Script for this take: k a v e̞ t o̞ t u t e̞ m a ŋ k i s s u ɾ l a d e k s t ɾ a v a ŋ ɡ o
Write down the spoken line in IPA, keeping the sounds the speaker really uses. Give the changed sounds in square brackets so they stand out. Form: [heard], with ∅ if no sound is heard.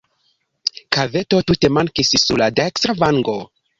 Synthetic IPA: k a v e̞ t o̞ t u t e̞ m a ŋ k i s s u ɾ l a d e k s t ɾ a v a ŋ ɡ o